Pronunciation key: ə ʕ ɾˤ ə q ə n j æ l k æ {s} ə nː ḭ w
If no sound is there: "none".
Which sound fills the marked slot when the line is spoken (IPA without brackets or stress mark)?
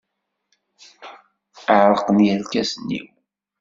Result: s